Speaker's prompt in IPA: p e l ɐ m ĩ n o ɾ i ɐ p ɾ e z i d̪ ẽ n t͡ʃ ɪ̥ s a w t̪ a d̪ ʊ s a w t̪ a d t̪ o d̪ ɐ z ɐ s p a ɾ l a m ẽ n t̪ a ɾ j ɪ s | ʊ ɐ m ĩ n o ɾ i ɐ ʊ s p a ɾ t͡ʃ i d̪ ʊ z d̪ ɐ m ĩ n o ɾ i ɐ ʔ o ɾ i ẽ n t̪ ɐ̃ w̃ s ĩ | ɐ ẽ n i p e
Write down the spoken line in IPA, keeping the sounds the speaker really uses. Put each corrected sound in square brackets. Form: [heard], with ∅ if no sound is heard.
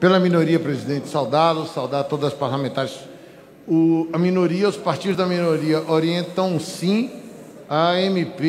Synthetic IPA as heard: p e l ɐ m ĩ n o ɾ i ɐ p ɾ e z i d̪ ẽ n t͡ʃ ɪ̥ s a w [d̪] a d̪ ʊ s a w [d̪] a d t̪ o d̪ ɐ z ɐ s p a ɾ l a m ẽ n t̪ a ɾ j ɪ s | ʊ ɐ m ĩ n o ɾ i ɐ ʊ s p a ɾ t͡ʃ i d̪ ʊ z d̪ ɐ m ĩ n o ɾ i ɐ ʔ o ɾ i ẽ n t̪ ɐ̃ w̃ s ĩ | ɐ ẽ [m] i p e